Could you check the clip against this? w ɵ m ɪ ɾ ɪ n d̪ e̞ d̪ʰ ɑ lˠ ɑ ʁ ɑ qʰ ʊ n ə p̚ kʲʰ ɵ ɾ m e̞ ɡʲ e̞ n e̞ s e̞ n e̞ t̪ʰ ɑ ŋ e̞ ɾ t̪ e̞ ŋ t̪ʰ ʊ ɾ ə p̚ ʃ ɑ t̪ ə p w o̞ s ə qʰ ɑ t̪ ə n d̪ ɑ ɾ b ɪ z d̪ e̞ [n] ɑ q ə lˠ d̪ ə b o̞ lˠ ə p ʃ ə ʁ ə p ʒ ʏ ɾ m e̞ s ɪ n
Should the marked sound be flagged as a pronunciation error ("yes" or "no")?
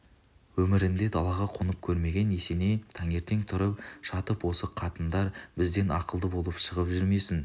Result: no